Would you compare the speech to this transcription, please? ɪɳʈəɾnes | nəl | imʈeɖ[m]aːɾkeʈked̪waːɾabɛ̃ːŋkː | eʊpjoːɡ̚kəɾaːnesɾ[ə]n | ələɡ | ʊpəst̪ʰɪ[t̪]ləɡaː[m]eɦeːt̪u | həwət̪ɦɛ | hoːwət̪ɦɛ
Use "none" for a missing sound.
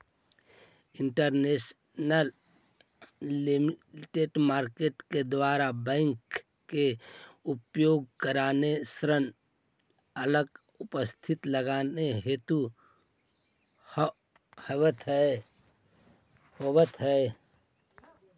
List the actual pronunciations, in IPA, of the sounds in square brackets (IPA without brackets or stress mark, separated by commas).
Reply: m, ə, t̪, n